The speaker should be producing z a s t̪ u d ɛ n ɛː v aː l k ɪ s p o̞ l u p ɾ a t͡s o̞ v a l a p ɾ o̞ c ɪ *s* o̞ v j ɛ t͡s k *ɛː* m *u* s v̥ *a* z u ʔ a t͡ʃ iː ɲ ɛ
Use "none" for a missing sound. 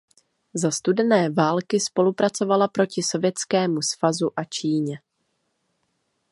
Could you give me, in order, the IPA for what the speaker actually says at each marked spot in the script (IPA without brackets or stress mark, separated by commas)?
s, ɛː, u, a